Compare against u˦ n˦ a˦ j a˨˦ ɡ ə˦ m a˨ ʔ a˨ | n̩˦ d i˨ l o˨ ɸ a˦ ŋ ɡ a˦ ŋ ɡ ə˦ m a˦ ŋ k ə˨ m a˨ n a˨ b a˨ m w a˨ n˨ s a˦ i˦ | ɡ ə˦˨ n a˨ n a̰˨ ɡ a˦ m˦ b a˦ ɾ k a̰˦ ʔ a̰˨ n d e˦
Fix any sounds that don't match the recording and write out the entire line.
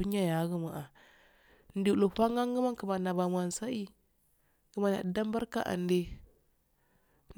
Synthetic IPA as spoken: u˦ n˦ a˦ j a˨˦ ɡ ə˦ m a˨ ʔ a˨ | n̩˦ d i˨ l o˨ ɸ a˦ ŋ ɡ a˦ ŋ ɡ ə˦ m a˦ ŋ k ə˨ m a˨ n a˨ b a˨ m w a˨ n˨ s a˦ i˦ | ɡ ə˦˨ m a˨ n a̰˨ d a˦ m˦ b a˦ ɾ k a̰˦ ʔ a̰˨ n d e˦